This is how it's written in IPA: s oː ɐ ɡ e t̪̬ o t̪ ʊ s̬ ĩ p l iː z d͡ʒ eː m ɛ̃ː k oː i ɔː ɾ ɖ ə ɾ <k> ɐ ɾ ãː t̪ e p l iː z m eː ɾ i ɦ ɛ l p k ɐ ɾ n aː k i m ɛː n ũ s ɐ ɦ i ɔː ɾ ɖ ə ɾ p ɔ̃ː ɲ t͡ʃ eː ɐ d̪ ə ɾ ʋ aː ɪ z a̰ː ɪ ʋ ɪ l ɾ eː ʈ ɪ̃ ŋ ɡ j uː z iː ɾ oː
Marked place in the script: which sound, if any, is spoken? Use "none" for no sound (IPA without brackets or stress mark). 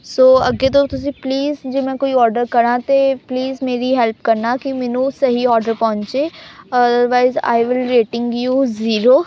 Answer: k